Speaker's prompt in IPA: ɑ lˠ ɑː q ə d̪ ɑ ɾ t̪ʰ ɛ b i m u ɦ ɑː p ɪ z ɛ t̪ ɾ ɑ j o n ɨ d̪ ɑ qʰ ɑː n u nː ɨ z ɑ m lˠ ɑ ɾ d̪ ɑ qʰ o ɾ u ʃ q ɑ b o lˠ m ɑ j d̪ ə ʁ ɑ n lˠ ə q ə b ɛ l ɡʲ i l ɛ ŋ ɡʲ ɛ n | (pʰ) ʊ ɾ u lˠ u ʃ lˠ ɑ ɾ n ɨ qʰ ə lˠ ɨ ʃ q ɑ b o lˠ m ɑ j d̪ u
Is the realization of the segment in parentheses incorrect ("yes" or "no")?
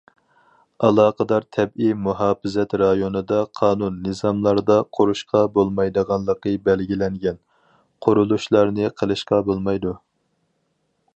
yes